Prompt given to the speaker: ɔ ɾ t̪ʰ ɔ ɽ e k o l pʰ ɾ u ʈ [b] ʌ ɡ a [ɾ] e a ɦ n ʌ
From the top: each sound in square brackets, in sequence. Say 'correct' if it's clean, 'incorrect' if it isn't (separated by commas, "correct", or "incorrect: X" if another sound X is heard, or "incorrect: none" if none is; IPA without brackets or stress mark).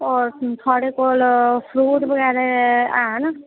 correct, correct